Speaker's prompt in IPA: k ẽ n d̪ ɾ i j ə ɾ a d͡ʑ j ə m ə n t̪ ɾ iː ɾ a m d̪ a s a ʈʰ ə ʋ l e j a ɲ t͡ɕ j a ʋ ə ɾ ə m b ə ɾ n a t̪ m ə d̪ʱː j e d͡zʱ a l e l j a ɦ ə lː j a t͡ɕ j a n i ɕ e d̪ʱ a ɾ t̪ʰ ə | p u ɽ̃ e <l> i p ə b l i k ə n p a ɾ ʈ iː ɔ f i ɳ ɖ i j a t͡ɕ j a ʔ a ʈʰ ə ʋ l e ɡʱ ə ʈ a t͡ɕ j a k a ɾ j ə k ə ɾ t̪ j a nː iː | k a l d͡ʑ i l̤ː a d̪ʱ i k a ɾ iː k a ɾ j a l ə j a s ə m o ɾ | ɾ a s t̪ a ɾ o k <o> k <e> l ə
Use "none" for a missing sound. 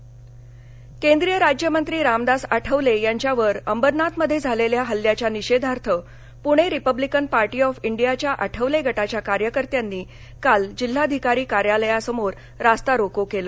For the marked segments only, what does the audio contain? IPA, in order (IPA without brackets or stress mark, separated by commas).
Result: ɾ, o, e